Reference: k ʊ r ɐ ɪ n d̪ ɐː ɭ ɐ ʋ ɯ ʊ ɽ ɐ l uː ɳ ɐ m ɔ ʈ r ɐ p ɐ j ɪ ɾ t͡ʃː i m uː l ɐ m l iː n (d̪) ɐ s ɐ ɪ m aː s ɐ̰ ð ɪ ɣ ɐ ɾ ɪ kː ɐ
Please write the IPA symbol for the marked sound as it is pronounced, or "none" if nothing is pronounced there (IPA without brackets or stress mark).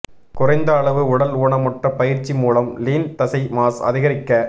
t̪